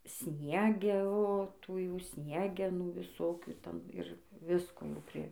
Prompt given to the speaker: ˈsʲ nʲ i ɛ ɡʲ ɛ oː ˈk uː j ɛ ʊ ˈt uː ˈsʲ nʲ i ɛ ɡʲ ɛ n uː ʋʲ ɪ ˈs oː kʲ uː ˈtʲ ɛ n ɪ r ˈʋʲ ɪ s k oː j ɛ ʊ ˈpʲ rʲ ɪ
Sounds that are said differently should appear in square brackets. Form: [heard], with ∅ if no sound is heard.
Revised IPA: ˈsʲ nʲ i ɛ ɡʲ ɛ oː [ˈt] uː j ɛ ʊ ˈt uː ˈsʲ nʲ i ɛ ɡʲ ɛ n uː ʋʲ ɪ ˈs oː kʲ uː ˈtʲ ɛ n ɪ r ˈʋʲ ɪ s k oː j ɛ ʊ ˈpʲ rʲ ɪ